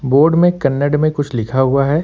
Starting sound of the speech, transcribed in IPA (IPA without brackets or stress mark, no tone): b